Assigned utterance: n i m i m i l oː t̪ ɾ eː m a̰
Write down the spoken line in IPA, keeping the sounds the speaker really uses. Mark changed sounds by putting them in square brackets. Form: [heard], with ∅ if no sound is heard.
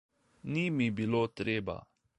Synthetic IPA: n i m i [b] i l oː t̪ ɾ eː [b] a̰